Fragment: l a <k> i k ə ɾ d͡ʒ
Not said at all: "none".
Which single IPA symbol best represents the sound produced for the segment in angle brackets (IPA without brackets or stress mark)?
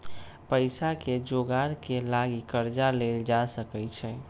ɡ